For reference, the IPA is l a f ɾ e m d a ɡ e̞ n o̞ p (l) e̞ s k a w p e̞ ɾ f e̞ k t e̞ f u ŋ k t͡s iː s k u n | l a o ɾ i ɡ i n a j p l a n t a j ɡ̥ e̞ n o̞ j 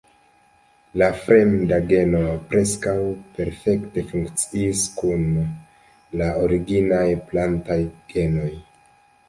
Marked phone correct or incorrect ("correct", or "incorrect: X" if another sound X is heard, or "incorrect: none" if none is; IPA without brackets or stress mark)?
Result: incorrect: ɾ